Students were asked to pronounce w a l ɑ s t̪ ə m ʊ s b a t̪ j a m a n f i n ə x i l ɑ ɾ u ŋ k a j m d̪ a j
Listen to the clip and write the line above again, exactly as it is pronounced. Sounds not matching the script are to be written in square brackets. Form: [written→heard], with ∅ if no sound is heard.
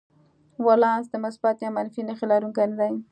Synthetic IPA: w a l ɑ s [t̪→d̪] ə m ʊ s b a t̪ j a m a n f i n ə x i l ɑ ɾ u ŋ k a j [m→n] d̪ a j